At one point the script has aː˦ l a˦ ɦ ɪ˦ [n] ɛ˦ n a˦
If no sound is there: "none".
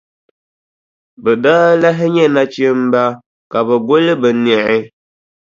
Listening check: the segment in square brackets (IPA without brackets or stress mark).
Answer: ɲ